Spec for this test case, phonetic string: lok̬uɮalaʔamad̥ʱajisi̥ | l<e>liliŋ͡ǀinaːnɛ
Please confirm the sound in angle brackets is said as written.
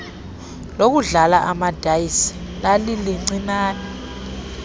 no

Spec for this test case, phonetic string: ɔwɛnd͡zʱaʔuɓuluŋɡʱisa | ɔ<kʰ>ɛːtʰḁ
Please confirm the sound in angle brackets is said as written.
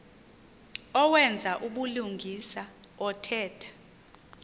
no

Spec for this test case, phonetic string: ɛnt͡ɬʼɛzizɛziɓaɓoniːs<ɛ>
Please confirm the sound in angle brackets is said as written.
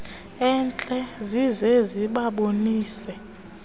yes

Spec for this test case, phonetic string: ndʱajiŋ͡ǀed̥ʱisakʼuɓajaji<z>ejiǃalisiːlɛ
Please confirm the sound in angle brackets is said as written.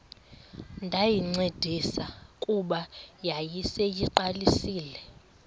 no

